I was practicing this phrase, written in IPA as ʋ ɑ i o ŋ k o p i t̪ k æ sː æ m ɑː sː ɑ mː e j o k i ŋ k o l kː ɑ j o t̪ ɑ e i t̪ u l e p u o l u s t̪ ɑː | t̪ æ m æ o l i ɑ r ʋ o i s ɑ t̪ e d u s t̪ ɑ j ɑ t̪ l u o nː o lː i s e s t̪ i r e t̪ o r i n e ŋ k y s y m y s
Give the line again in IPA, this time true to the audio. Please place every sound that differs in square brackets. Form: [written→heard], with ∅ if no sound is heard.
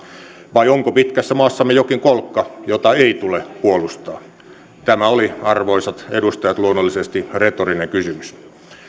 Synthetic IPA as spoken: ʋ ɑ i o ŋ k o p i t̪ k æ sː æ m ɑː sː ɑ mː e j o k i ŋ k o l kː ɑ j o t̪ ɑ e i t̪ u l e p u o l u s t̪ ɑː | t̪ æ m æ o l i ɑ r ʋ o i s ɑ t̪ e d u s t̪ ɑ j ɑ t̪ l u o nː o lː i s e s t̪ i r e t̪ o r i n e ŋ k y s y m y s